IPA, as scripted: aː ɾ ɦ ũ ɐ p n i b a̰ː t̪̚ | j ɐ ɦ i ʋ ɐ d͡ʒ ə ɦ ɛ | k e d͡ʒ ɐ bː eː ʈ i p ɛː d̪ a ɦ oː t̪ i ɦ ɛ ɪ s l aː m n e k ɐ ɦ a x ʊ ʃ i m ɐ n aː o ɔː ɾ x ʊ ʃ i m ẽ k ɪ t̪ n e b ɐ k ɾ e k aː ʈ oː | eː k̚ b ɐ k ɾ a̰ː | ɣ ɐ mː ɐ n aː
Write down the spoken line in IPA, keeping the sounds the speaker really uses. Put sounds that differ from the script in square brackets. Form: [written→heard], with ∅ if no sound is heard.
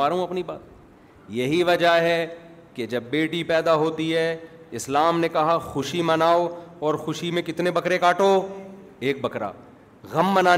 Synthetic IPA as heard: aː ɾ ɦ ũ ɐ p n i b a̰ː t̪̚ | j ɐ ɦ i ʋ ɐ d͡ʒ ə ɦ ɛ | k e d͡ʒ ɐ bː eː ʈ i p ɛː d̪ a ɦ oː t̪ i ɦ ɛ ɪ s l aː m n e k ɐ ɦ a x ʊ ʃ i m ɐ n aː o ɔː ɾ x ʊ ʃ i m ẽ k ɪ t̪ n e b ɐ k ɾ e k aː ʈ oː | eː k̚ b ɐ k ɾ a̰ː | ɣ ɐ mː ɐ n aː